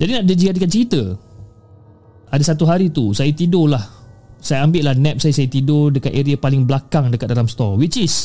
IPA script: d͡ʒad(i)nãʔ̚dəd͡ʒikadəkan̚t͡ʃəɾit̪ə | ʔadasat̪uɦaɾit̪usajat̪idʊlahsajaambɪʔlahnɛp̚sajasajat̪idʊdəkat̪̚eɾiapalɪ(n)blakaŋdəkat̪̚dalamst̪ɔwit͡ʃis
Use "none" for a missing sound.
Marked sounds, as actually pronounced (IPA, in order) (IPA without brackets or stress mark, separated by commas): i, ŋ